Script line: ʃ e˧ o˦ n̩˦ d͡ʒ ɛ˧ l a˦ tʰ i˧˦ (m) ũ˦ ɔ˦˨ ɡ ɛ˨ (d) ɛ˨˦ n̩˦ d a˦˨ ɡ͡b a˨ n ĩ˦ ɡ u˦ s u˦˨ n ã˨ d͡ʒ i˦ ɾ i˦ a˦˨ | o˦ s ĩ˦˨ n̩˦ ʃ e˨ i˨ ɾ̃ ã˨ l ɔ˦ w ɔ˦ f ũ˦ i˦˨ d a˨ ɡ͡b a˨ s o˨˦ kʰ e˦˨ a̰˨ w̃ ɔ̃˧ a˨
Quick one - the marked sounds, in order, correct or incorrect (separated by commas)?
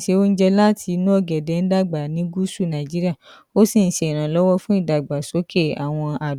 incorrect, correct